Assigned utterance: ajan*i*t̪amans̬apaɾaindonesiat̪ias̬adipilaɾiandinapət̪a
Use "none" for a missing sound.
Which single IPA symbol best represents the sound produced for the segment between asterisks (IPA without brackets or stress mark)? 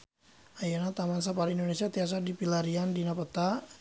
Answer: a